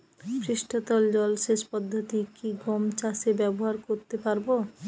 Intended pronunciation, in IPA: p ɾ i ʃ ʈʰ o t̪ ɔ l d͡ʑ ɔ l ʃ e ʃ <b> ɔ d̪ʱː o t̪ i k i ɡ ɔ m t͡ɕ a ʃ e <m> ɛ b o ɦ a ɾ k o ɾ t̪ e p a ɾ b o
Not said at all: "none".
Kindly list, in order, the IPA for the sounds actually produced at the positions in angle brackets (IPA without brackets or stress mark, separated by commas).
p, b